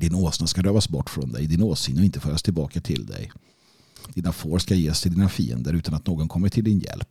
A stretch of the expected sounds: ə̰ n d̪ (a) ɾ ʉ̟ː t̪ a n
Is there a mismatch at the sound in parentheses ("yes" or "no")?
yes